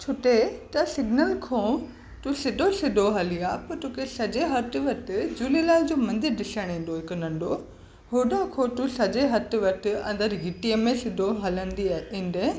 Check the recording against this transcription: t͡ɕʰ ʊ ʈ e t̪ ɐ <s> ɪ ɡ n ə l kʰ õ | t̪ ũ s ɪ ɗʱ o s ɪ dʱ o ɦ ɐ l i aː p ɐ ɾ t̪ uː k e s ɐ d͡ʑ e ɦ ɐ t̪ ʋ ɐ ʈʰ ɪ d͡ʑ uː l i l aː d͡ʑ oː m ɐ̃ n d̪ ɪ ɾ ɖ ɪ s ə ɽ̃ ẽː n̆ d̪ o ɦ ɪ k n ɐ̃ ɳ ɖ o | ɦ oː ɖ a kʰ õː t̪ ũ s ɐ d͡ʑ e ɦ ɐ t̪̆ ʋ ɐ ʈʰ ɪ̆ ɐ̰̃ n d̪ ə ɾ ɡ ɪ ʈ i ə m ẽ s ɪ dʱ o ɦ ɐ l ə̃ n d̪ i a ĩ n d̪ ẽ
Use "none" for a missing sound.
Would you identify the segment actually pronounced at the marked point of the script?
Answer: s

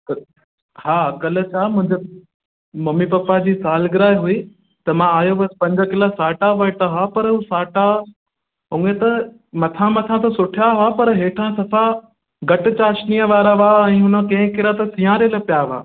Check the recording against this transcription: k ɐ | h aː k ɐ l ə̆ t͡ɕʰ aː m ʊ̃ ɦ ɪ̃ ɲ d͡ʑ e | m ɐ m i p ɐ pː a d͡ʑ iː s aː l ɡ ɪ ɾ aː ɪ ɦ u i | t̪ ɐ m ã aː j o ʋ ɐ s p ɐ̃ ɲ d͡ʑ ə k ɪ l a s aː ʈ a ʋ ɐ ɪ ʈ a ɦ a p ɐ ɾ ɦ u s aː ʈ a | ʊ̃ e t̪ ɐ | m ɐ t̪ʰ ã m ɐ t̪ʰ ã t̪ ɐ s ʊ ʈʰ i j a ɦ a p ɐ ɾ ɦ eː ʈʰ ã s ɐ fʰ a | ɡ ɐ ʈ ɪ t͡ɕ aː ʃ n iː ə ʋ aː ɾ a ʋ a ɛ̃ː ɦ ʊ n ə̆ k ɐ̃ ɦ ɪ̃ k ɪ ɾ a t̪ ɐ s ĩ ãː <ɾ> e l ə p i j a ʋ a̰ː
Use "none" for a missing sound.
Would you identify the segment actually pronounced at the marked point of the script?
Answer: ɾ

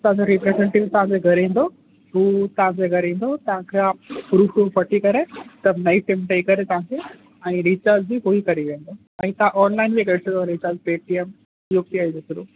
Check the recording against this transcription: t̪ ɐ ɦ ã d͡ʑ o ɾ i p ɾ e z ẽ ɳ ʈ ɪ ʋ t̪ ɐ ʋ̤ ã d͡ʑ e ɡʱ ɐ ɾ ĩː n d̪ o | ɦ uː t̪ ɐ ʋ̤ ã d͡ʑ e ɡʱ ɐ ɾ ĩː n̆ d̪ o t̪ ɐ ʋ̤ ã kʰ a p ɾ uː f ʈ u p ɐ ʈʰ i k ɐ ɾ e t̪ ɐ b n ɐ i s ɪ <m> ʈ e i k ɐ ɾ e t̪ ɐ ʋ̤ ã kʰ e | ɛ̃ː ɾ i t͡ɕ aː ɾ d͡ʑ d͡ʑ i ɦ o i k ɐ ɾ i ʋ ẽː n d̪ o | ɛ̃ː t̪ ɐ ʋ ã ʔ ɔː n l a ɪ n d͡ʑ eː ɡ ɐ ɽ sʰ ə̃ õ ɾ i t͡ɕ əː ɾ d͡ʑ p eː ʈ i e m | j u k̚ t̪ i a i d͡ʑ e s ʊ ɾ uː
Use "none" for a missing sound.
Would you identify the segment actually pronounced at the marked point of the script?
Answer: m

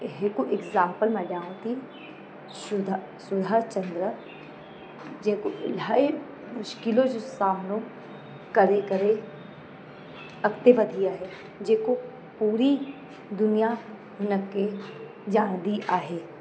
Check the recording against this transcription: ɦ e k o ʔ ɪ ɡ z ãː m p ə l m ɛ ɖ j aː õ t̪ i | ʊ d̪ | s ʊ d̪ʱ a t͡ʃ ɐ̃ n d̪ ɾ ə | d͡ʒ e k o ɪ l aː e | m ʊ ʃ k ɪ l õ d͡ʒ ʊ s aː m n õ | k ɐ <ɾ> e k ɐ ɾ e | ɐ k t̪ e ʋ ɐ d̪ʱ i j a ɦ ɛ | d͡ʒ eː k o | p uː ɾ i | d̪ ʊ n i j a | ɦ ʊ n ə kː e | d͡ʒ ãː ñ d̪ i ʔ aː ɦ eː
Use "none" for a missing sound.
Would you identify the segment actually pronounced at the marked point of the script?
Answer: ɾ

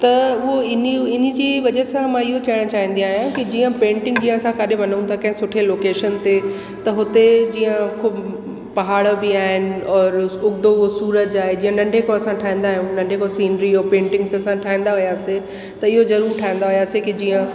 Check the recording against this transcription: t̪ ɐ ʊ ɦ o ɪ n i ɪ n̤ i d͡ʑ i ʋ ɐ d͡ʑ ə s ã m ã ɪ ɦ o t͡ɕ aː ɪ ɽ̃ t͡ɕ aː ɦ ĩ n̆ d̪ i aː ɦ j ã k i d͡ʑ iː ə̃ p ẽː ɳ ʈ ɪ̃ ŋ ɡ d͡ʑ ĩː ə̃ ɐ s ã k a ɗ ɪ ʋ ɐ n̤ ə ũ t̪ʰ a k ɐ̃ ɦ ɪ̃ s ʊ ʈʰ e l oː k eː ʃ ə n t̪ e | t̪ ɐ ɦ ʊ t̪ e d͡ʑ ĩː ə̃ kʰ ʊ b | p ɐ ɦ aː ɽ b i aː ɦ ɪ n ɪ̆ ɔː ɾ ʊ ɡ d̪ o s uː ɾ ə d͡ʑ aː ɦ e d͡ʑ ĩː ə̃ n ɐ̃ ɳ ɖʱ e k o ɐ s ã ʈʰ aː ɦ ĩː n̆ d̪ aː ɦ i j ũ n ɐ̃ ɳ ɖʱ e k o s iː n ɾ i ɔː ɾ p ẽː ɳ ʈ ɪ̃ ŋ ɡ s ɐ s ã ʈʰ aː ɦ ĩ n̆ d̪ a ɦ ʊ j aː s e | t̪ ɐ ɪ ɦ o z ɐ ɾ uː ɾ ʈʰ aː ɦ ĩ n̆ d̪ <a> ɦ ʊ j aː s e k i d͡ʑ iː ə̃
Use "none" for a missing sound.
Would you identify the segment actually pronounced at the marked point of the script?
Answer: a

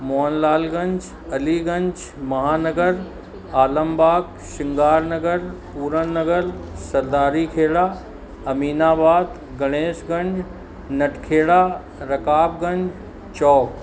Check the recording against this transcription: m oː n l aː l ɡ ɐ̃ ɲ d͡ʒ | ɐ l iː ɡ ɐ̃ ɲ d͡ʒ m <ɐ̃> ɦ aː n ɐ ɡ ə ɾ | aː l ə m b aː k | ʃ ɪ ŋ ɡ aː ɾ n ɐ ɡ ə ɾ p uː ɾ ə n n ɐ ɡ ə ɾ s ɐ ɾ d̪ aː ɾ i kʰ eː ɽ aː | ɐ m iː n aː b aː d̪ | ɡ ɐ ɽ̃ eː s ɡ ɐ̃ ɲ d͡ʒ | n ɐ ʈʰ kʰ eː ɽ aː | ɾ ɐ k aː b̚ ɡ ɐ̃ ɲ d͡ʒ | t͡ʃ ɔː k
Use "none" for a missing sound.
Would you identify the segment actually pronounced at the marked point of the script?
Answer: ɐ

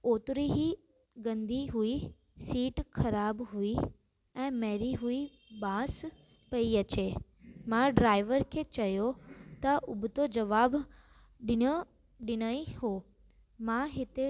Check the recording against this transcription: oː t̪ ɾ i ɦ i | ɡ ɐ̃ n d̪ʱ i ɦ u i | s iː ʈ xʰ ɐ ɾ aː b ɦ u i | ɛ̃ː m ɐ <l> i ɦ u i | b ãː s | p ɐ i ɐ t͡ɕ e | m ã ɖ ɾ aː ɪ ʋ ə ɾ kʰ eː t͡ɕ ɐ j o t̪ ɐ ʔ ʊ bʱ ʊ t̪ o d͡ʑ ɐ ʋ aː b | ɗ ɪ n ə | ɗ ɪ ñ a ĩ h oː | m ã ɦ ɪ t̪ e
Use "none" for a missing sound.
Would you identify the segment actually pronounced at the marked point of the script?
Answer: ɾ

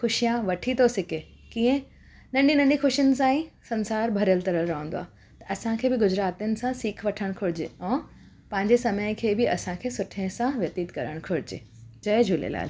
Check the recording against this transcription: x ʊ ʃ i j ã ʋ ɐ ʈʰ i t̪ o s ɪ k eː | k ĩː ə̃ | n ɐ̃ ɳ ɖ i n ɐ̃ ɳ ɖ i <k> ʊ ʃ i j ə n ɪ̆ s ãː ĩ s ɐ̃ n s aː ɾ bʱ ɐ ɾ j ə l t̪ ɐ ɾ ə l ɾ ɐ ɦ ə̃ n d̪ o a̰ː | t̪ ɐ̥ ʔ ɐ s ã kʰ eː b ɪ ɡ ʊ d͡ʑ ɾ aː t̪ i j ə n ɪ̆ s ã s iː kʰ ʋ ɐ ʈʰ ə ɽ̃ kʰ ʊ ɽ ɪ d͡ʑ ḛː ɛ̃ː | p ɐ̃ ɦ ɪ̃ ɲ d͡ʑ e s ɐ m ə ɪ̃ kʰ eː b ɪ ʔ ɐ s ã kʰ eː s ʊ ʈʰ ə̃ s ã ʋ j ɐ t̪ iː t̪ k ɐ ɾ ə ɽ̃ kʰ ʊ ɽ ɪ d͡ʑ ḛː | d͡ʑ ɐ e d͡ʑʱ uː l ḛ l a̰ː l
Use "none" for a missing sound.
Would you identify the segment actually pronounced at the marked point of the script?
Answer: x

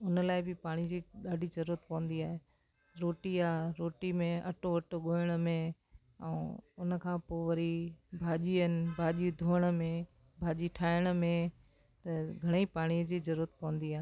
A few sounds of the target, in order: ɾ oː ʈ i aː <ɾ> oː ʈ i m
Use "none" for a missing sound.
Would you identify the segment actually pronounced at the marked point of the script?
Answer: ɾ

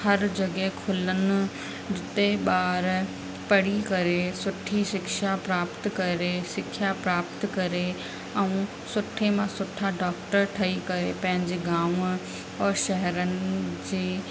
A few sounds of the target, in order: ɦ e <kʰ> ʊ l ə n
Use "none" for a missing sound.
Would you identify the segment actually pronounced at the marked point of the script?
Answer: kʰ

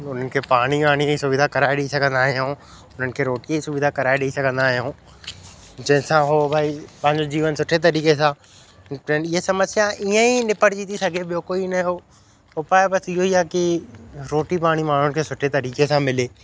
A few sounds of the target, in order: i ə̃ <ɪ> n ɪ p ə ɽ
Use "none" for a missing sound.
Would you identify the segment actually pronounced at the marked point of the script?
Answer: i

